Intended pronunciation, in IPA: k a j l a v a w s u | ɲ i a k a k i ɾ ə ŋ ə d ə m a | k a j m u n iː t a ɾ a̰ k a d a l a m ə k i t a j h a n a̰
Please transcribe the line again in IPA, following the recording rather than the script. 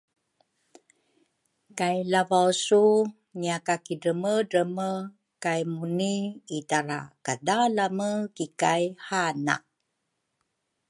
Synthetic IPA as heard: k a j l a v a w s u | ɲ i a k a k i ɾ ə m ə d ə m ə | k a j m u n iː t a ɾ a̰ k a d a l a m ə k i k a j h a n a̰